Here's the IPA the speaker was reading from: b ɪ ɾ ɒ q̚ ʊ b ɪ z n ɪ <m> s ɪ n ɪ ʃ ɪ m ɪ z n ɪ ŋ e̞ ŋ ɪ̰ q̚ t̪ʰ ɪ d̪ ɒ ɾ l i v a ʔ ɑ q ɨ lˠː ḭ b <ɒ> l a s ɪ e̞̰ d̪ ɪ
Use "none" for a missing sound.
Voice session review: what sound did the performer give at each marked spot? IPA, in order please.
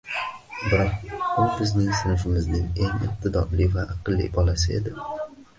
ŋ, ɒ

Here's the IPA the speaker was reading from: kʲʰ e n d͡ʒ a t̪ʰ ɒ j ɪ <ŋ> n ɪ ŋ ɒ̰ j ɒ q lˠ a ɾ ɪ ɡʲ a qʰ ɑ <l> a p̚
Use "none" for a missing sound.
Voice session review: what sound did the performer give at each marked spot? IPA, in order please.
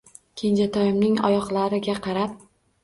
m, ɾ

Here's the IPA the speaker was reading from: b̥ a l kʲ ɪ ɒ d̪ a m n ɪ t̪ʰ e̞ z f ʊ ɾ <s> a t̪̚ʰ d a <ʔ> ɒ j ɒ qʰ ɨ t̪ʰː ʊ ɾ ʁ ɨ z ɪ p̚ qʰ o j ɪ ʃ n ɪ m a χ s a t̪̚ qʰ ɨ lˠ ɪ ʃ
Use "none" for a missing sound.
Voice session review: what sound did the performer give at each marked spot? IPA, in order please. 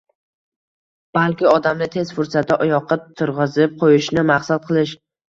s, ʔ

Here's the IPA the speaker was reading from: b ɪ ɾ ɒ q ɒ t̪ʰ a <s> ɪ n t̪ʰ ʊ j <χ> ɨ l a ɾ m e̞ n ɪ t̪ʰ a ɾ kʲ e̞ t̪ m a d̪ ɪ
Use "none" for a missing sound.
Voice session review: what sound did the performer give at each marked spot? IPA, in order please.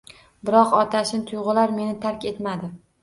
ʃ, ʁ

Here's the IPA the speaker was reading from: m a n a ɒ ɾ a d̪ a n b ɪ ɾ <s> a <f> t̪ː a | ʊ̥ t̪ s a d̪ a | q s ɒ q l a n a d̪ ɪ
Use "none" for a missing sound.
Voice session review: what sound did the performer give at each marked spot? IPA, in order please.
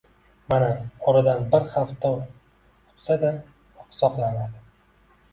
χ, f

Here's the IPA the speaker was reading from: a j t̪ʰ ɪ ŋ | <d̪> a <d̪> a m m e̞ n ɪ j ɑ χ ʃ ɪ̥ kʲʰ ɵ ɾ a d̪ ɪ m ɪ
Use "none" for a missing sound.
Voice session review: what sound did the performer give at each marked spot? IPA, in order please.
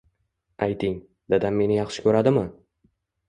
d̪, d̪

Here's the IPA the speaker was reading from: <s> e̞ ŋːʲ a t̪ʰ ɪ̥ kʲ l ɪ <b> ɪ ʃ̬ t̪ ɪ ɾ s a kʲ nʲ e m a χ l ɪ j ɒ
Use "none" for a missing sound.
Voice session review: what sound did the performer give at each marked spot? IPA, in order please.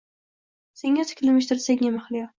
s, m

